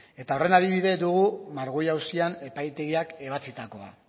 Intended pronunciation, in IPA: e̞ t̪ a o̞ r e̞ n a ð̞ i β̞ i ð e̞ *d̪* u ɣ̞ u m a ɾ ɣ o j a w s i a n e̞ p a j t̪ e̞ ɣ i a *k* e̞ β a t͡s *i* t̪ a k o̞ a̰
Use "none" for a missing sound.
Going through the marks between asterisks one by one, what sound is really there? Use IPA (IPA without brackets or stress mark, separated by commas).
d̪, k, i